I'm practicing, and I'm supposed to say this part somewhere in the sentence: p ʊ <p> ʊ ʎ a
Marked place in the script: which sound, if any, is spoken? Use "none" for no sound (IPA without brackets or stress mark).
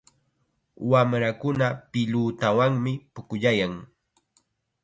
k